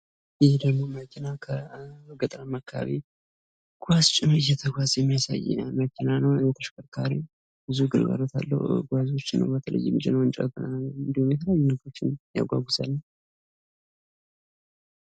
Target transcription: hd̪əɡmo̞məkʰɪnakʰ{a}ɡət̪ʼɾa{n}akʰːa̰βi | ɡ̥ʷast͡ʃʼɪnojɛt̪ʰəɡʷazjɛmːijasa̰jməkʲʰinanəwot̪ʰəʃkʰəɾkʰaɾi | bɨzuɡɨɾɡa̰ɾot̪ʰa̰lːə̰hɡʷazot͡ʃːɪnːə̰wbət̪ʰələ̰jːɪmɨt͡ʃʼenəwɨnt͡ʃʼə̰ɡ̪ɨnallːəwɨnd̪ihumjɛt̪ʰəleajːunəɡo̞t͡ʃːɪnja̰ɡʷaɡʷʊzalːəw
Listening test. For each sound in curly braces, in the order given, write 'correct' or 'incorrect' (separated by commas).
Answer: incorrect, incorrect